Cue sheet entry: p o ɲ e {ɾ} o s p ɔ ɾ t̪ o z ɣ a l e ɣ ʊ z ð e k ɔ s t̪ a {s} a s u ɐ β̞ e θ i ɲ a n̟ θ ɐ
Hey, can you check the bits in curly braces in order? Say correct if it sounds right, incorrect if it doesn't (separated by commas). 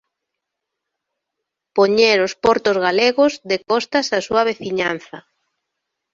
correct, correct